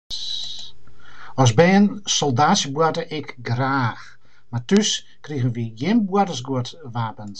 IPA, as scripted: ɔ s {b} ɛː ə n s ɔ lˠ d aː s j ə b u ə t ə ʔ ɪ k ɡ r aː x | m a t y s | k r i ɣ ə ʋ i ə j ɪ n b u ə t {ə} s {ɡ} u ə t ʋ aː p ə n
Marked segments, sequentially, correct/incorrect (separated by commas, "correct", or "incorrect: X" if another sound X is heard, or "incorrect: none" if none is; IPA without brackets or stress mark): correct, correct, correct